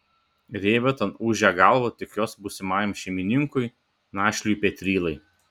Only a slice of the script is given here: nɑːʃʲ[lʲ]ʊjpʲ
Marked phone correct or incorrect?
correct